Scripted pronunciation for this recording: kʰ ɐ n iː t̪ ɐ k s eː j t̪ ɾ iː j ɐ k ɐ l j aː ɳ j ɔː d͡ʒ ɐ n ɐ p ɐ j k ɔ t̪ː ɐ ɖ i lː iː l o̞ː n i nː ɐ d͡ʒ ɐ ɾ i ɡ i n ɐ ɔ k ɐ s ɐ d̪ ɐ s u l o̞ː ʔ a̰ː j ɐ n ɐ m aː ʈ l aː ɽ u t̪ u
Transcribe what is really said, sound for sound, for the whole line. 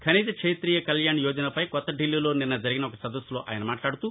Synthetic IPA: kʰ ɐ n iː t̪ ɐ k ʂ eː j t̪ ɾ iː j ɐ k ɐ l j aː ɳ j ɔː d͡ʒ ɐ n ɐ p ɐ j k ɔ t̪ː ɐ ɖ i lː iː l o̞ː n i nː ɐ d͡ʒ ɐ ɾ i ɡ i n ɐ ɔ k ɐ s ɐ d̪ ɐ s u l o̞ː ʔ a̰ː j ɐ n ɐ m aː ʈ l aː ɽ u t̪ u